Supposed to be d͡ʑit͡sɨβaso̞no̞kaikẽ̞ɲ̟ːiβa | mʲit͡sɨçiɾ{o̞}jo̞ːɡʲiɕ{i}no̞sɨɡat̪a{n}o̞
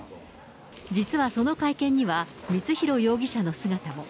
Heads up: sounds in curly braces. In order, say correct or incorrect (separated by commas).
correct, incorrect, incorrect